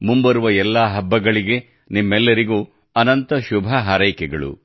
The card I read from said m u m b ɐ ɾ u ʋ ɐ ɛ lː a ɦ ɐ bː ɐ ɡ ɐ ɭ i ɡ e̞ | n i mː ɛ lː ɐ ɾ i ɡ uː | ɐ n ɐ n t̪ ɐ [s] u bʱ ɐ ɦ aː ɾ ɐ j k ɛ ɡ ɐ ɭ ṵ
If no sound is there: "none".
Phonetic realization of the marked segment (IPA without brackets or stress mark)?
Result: ʃ